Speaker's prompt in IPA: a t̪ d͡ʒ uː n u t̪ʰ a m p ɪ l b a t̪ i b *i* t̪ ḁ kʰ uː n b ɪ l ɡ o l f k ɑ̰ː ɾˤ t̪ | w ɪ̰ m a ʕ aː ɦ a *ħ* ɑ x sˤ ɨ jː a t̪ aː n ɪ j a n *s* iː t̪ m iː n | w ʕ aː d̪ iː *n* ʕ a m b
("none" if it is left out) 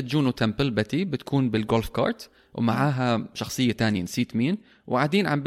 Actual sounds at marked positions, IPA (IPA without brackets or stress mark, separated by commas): ɪ, ʃ, s, n